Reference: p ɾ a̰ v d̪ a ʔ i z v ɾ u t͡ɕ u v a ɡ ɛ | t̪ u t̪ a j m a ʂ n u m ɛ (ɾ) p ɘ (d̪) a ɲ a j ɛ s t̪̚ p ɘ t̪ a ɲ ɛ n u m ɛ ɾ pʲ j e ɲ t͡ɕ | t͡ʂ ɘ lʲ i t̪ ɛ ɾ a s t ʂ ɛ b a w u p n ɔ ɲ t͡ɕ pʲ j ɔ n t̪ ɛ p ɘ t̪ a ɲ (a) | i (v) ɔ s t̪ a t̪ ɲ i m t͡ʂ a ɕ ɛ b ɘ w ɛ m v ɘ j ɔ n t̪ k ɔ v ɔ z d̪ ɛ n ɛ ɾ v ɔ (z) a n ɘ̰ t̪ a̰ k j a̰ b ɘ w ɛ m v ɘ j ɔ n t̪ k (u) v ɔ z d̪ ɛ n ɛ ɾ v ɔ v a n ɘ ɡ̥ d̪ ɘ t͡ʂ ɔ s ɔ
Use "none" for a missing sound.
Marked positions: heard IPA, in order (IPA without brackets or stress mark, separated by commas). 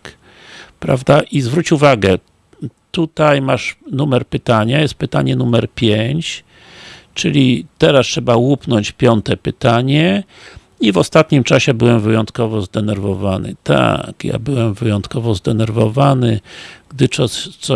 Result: ɾ, t̪, ɛ, v, v, ɔ